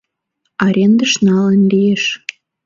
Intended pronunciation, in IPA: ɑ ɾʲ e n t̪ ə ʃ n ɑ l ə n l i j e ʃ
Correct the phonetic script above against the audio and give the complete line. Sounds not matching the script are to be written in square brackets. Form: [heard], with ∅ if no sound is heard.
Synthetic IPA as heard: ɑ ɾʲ e n [d̪] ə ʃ n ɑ l ə n l i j e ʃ